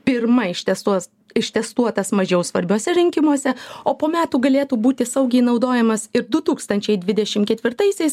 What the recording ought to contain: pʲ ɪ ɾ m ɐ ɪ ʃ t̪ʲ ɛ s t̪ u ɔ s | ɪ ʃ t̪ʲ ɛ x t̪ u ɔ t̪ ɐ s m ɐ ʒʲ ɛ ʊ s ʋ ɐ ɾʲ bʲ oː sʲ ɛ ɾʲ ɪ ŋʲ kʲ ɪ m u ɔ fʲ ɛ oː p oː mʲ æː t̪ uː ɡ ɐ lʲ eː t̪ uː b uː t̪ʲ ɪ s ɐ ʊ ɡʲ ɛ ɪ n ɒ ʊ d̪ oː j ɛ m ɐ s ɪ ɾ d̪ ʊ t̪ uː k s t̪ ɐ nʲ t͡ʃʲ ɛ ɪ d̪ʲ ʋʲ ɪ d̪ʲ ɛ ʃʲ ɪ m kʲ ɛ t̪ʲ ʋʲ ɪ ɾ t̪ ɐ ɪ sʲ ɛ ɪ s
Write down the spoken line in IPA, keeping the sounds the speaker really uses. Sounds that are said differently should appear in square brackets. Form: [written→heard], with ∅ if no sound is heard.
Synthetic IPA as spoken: pʲ ɪ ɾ m ɐ ɪ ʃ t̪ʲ ɛ s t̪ u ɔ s | ɪ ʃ t̪ʲ ɛ [x→s] t̪ u ɔ t̪ ɐ s m ɐ ʒʲ ɛ ʊ s ʋ ɐ ɾʲ bʲ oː sʲ ɛ ɾʲ ɪ ŋʲ kʲ ɪ m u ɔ [fʲ→sʲ] ɛ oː p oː mʲ æː t̪ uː ɡ ɐ lʲ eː t̪ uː b uː t̪ʲ ɪ s ɐ ʊ ɡʲ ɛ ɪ n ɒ ʊ d̪ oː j ɛ m ɐ s ɪ ɾ d̪ ʊ t̪ uː k s t̪ ɐ nʲ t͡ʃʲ ɛ ɪ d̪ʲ ʋʲ ɪ d̪ʲ ɛ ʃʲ ɪ m kʲ ɛ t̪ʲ ʋʲ ɪ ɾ t̪ ɐ ɪ sʲ ɛ ɪ s

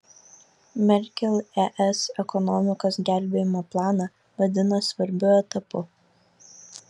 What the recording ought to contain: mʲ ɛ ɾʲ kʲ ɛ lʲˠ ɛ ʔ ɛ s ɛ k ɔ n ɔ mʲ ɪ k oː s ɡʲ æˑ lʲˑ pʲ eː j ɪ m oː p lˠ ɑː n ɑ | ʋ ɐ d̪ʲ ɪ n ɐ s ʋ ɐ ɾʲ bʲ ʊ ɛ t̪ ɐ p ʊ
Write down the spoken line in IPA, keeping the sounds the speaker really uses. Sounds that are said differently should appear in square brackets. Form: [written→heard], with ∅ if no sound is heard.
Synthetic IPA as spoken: mʲ ɛ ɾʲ kʲ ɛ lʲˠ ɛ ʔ ɛ s ɛ k ɔ n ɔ mʲ ɪ k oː s ɡʲ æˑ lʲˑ [pʲ→bʲ] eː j ɪ m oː p lˠ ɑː n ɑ | ʋ ɐ d̪ʲ ɪ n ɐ s ʋ ɐ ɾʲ bʲ ʊ ɛ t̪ ɐ p ʊ

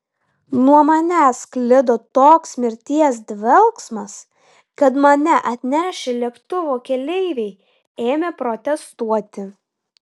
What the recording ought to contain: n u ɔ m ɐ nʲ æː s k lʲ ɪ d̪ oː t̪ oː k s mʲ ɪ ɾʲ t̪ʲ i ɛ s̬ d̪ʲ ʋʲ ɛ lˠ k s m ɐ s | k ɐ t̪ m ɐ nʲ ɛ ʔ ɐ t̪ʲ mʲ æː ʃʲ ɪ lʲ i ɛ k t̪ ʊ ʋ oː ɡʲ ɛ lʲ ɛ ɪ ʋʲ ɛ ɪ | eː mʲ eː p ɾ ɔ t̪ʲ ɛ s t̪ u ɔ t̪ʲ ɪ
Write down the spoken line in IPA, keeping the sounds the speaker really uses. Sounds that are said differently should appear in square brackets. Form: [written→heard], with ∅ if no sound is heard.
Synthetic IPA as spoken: n u ɔ m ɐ nʲ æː s k lʲ ɪ d̪ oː t̪ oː k s mʲ ɪ ɾʲ t̪ʲ i ɛ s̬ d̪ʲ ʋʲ ɛ lˠ k s m ɐ s | k ɐ t̪ m ɐ nʲ ɛ ʔ ɐ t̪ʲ [mʲ→nʲ] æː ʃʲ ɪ lʲ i ɛ k t̪ ʊ ʋ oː [ɡʲ→kʲ] ɛ lʲ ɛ ɪ ʋʲ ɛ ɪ | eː mʲ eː p ɾ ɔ t̪ʲ ɛ s t̪ u ɔ t̪ʲ ɪ

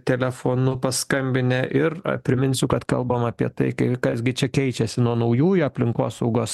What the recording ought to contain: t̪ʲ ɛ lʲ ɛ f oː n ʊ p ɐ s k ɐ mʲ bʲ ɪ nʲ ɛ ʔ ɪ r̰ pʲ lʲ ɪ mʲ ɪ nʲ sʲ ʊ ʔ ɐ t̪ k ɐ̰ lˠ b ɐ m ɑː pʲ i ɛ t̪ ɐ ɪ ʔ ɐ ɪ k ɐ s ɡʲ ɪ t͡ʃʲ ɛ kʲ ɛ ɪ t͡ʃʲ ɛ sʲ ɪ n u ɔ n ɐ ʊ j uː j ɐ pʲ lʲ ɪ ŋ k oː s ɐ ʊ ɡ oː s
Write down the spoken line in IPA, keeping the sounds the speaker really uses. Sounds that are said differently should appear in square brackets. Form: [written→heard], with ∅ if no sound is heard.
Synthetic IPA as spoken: t̪ʲ ɛ lʲ ɛ f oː n ʊ p ɐ s k ɐ mʲ bʲ ɪ nʲ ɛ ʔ ɪ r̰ pʲ [lʲ→ɾʲ] ɪ mʲ ɪ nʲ sʲ ʊ [ʔ→k] ɐ t̪ k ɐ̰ lˠ b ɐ m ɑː pʲ i ɛ t̪ ɐ ɪ [ʔ→k] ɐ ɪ k ɐ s ɡʲ ɪ t͡ʃʲ ɛ kʲ ɛ ɪ t͡ʃʲ ɛ sʲ ɪ n u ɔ n ɐ ʊ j uː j ɐ pʲ lʲ ɪ ŋ k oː s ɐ ʊ ɡ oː s

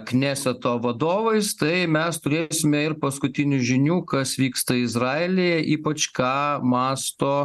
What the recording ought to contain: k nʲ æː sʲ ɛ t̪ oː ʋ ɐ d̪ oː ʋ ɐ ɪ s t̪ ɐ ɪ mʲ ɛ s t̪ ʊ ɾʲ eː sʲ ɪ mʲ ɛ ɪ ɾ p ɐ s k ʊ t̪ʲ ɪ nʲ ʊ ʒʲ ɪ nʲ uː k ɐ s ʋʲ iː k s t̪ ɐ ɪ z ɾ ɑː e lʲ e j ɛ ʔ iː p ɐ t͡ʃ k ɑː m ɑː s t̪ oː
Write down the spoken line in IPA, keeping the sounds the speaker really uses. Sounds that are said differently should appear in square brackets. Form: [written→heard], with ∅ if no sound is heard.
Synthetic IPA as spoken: k nʲ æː sʲ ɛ t̪ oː ʋ ɐ d̪ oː ʋ ɐ ɪ s t̪ ɐ ɪ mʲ ɛ s t̪ ʊ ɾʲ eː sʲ ɪ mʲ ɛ ɪ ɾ p ɐ s k ʊ t̪ʲ ɪ nʲ ʊ ʒʲ ɪ nʲ uː k ɐ s ʋʲ iː k s t̪ ɐ ɪ z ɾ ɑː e lʲ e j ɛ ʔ iː p ɐ t͡ʃ k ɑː m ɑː s t̪ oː

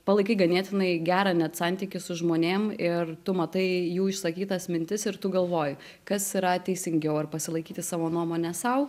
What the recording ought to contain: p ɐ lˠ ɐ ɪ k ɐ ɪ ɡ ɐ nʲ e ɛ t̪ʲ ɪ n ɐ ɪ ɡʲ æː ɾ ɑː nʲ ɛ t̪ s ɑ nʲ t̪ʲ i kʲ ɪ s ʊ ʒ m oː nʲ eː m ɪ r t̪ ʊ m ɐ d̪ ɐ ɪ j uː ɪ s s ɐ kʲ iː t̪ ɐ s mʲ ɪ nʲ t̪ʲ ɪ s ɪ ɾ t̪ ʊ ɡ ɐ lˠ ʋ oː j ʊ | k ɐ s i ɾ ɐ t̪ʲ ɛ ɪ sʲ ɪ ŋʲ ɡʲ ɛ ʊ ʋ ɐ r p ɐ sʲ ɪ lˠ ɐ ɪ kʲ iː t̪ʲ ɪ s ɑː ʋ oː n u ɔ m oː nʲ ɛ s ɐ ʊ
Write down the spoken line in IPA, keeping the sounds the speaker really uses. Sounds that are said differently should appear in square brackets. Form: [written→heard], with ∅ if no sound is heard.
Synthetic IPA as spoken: p ɐ lˠ ɐ ɪ k ɐ ɪ ɡ ɐ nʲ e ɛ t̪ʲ ɪ n ɐ ɪ ɡʲ æː ɾ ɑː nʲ ɛ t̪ s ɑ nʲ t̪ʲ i kʲ ɪ s ʊ ʒ m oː nʲ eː m ɪ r t̪ ʊ m ɐ [d̪→t̪] ɐ ɪ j uː ɪ [s→ʃ] s ɐ kʲ iː t̪ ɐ s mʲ ɪ nʲ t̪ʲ ɪ s ɪ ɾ t̪ ʊ ɡ ɐ lˠ ʋ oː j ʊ | k ɐ s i ɾ ɐ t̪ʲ ɛ ɪ sʲ ɪ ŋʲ ɡʲ ɛ ʊ [ʋ→∅] ɐ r p ɐ sʲ ɪ lˠ ɐ ɪ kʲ iː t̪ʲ ɪ s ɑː ʋ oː n u ɔ m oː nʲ ɛ s ɐ ʊ

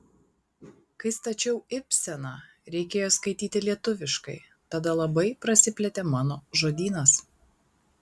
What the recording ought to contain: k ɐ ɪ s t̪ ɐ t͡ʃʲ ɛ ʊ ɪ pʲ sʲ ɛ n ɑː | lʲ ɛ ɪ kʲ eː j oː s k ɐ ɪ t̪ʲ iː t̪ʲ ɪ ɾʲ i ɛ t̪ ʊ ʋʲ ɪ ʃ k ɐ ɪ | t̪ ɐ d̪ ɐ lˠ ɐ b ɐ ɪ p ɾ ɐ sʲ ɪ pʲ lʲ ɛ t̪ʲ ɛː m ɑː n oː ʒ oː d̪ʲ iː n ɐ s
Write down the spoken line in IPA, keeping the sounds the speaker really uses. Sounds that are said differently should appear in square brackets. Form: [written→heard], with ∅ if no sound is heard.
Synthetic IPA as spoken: k ɐ ɪ s t̪ ɐ t͡ʃʲ ɛ ʊ ɪ pʲ sʲ ɛ n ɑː | [lʲ→ɾʲ] ɛ ɪ kʲ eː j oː s k ɐ ɪ t̪ʲ iː t̪ʲ ɪ [ɾʲ→lʲ] i ɛ t̪ ʊ ʋʲ ɪ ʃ k ɐ ɪ | t̪ ɐ d̪ ɐ lˠ ɐ b ɐ ɪ p ɾ ɐ sʲ ɪ pʲ lʲ ɛ t̪ʲ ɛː m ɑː n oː ʒ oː d̪ʲ iː n ɐ s

